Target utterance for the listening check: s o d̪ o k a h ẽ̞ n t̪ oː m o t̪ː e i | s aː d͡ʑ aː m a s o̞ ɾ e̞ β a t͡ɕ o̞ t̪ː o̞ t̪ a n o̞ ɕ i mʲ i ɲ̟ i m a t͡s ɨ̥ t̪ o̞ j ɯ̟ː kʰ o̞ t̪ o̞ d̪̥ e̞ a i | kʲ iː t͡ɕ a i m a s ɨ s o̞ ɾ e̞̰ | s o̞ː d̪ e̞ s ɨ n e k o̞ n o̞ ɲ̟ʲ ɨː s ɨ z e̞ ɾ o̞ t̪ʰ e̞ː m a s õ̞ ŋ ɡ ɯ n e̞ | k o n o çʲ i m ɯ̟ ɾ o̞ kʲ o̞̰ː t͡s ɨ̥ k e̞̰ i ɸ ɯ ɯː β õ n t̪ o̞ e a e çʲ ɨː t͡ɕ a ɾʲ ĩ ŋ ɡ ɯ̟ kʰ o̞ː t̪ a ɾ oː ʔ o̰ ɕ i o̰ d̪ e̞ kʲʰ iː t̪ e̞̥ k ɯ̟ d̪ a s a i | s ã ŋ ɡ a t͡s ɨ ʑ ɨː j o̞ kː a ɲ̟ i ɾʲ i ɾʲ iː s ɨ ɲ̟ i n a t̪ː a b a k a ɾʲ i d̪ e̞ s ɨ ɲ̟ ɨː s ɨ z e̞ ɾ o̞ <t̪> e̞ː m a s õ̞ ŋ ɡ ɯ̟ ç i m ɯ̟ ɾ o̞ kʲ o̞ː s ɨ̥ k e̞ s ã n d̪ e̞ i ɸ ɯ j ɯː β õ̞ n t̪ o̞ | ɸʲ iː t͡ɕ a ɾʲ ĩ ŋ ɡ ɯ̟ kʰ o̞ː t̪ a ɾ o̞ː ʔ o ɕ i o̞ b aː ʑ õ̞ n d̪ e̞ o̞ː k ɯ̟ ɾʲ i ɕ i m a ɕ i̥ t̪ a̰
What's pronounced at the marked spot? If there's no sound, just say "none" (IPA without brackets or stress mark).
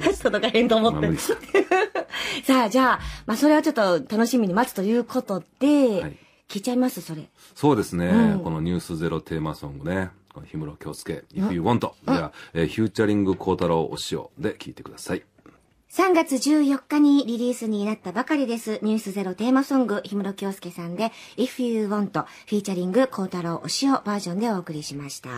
t̪